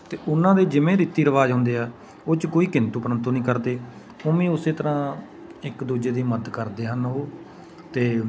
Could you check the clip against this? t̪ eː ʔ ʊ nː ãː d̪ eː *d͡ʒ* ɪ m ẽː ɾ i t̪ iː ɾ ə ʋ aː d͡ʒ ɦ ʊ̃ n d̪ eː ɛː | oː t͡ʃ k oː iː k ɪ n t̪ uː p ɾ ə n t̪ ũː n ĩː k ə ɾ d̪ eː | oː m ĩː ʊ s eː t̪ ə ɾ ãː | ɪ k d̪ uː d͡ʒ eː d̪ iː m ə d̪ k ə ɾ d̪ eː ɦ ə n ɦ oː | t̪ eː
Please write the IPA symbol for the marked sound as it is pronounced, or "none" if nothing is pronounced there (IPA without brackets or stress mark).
d͡ʒ